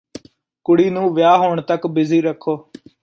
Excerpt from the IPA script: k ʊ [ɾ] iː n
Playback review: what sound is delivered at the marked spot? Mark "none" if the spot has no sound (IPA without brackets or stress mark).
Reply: ɽ